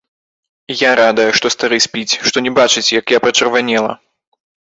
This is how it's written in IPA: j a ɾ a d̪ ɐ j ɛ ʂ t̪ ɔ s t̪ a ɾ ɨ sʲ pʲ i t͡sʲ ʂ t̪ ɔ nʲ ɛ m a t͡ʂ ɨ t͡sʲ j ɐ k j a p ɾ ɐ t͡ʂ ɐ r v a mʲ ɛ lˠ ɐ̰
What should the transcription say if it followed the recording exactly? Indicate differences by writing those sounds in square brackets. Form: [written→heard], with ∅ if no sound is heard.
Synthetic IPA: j a ɾ a d̪ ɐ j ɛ ʂ t̪ ɔ s t̪ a ɾ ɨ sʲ pʲ i t͡sʲ ʂ t̪ ɔ nʲ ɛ [m→b] a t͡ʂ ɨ t͡sʲ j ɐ k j a p ɾ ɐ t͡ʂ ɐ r v a [mʲ→nʲ] ɛ lˠ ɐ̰